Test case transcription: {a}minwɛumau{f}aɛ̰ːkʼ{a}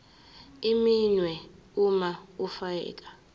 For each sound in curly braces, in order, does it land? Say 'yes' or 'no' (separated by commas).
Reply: no, yes, yes